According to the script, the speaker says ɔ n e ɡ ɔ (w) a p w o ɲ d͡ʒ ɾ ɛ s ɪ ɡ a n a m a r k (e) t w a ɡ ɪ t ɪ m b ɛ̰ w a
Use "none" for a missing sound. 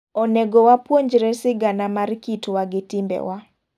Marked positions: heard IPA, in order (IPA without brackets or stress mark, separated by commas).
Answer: w, i